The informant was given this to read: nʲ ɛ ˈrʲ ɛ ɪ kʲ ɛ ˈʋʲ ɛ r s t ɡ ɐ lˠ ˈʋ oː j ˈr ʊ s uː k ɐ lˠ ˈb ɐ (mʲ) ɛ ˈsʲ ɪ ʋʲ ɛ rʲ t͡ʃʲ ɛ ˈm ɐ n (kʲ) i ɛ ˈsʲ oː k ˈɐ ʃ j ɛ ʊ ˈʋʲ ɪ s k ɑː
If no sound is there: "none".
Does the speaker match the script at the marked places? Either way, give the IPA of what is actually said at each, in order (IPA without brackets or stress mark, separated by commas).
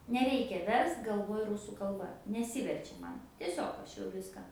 nʲ, tʲ